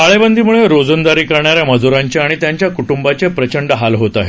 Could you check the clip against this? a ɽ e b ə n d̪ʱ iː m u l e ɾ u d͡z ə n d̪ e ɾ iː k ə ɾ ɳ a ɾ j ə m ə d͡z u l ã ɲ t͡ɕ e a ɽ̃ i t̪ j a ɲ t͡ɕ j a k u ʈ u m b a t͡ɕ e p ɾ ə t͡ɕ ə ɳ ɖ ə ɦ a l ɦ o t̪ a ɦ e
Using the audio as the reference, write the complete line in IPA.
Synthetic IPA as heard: a ɭ e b ə n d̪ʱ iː m u ɭ e ɾ o d͡z ə n d̪ a ɾ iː k ə ɾ ɳ a ɾ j a m ə d͡z u ɾ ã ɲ t͡ɕ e a ɽ̃ i t̪ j a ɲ t͡ɕ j a k u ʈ u m b a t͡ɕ e p ɾ ə t͡ɕ ə ɳ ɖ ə ɦ a l ɦ o t̪ a ɦ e